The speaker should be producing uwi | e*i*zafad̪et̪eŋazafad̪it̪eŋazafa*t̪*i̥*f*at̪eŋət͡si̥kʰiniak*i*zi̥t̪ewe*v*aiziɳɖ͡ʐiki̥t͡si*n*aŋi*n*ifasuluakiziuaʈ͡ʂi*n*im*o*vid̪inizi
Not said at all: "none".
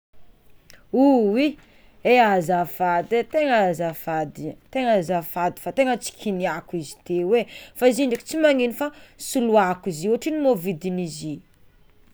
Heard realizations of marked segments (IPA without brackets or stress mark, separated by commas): a, d̪, f, i, f, m, n, n, o